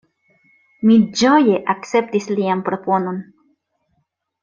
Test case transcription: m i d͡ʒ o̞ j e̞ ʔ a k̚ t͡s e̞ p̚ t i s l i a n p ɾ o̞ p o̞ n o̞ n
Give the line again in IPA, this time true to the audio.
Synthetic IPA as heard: m i d͡ʒ o̞ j e̞ ʔ a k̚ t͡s e̞ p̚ t i s l i a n p ɾ o̞ p o̞ n o̞ n